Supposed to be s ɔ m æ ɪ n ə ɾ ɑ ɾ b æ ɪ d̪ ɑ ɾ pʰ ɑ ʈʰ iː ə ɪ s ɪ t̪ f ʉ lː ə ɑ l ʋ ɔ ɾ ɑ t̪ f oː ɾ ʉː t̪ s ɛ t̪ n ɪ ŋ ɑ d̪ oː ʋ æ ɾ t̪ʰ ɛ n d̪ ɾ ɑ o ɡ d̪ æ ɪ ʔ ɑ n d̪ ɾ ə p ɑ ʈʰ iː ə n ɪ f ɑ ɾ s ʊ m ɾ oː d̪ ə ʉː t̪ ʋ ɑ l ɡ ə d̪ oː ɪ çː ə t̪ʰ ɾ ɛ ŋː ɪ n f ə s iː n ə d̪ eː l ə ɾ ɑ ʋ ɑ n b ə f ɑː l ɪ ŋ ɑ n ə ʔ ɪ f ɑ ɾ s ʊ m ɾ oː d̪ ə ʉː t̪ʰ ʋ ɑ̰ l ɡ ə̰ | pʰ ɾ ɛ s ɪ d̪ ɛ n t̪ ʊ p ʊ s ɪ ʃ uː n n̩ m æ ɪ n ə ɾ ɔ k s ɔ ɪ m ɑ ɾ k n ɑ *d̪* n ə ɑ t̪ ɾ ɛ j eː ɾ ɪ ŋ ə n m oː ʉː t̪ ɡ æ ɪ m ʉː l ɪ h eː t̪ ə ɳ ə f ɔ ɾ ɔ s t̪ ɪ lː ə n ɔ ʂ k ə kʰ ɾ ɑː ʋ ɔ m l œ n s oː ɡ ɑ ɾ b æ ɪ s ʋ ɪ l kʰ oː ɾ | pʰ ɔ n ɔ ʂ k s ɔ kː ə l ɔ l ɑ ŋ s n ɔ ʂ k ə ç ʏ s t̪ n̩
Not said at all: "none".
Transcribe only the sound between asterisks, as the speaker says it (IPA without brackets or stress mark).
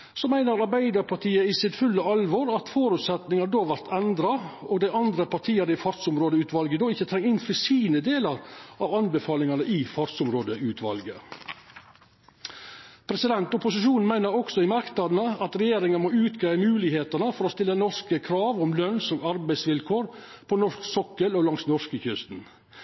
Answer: d̪